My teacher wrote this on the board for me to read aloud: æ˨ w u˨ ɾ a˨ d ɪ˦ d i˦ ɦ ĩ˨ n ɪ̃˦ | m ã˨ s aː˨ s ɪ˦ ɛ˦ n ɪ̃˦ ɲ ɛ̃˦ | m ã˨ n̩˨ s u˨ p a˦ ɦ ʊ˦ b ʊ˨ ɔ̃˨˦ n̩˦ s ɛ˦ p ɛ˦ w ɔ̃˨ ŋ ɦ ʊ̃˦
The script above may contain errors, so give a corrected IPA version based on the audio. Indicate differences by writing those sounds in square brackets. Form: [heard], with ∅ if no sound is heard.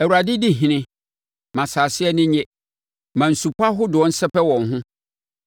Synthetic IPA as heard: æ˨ w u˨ ɾ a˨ d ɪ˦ d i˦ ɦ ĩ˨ n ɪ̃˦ | m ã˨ s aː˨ s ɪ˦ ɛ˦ n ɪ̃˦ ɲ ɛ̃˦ | m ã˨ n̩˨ s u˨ p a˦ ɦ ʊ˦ [d] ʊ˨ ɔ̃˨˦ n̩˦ s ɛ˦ p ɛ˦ w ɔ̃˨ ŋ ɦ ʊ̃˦